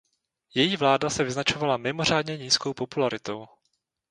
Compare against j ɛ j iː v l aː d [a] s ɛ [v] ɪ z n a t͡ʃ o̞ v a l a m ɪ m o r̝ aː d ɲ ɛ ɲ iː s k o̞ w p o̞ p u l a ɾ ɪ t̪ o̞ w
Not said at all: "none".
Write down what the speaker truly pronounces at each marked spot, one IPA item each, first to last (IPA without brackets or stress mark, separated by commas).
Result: a, v